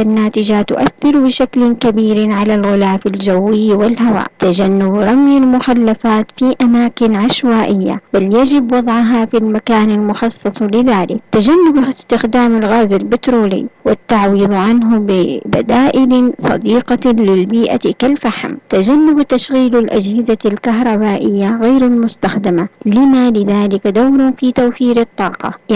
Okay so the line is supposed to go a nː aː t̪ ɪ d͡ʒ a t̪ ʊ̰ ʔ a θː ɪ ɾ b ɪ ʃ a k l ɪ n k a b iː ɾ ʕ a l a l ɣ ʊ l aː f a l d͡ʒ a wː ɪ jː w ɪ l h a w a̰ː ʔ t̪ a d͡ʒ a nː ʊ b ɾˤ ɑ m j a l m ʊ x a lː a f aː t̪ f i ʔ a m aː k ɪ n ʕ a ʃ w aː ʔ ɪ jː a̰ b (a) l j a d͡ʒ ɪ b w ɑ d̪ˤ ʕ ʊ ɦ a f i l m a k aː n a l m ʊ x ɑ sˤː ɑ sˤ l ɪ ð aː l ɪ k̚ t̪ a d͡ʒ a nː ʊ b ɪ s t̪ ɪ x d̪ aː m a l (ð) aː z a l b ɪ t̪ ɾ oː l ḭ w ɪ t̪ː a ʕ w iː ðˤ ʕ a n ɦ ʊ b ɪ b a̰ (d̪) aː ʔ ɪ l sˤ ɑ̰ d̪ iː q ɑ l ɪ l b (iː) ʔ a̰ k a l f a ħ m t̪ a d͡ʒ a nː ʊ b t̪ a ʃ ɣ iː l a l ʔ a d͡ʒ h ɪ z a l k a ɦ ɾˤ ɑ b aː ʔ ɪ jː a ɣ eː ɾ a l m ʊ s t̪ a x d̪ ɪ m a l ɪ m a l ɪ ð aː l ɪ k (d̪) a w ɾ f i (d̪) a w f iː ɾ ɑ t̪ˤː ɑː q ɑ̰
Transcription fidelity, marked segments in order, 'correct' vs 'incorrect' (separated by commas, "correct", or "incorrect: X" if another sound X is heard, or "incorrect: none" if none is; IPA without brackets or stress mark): correct, incorrect: ɣ, correct, correct, correct, incorrect: t̪